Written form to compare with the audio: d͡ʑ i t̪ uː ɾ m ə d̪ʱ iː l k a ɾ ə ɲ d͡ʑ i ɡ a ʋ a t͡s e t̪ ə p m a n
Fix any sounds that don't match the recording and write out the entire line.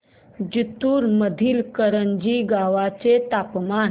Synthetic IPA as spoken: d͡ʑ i t̪ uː ɾ m ə d̪ʱ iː l k ə ɾ ə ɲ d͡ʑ i ɡ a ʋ a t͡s e t̪ a p m a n